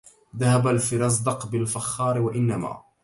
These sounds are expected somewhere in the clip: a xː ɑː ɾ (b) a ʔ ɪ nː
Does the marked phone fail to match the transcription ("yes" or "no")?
yes